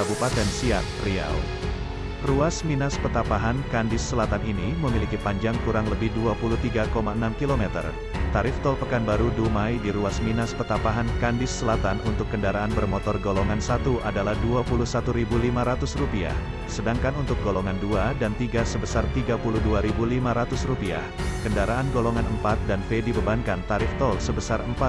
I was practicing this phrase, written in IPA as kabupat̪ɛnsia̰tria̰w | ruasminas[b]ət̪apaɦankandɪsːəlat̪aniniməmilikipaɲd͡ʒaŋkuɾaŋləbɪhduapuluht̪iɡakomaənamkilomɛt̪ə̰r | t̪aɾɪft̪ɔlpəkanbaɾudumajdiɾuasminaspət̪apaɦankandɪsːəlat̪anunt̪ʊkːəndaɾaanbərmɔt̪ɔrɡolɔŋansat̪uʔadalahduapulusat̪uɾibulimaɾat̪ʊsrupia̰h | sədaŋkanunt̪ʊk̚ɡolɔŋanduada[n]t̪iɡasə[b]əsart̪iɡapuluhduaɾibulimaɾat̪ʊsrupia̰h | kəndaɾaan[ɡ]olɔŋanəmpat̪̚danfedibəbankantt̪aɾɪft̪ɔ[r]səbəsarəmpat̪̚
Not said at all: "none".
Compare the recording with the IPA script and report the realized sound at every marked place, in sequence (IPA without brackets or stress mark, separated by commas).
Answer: p, n, b, ɡ, l